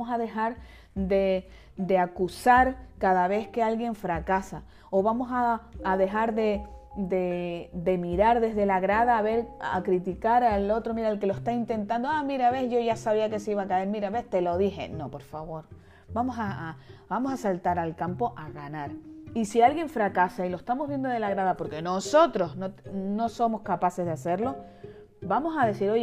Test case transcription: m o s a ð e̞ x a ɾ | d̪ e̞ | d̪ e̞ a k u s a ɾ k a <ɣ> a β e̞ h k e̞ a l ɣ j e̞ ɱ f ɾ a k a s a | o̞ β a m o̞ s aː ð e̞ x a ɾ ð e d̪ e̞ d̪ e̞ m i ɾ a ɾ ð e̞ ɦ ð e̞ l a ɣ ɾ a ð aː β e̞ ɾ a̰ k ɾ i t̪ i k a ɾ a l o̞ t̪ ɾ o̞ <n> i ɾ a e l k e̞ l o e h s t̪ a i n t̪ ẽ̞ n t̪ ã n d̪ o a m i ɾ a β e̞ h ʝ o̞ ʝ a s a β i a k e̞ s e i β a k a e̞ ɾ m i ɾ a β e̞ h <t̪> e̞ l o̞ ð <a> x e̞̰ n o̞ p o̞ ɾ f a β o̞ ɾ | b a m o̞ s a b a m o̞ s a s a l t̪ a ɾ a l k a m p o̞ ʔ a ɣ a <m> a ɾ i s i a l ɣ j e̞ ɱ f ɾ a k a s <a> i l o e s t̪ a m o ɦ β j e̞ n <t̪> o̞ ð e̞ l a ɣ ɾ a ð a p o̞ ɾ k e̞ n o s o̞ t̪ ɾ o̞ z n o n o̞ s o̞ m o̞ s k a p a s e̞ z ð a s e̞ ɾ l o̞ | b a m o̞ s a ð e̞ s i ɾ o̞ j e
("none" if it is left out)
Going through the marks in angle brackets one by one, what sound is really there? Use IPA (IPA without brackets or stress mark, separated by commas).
ð, m, t̪, i, n, a, d̪